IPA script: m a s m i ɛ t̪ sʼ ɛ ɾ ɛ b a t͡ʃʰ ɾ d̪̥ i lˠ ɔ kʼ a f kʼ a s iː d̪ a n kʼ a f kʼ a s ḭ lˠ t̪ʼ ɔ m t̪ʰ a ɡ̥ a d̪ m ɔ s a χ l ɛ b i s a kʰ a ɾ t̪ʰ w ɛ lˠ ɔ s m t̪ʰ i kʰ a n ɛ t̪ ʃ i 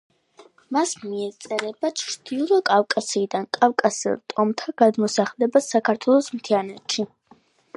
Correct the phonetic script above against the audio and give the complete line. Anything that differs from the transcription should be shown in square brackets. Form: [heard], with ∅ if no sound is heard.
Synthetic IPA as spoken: m a s m i ɛ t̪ sʼ ɛ ɾ ɛ b a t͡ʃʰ ɾ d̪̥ i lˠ ɔ kʼ a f kʼ a s iː d̪ a n kʼ a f kʼ a s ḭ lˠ t̪ʼ ɔ m t̪ʰ a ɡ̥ a d̪ m ɔ s a χ l ɛ b [a] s a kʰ a ɾ t̪ʰ w ɛ lˠ ɔ s m t̪ʰ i [∅] a n ɛ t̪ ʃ i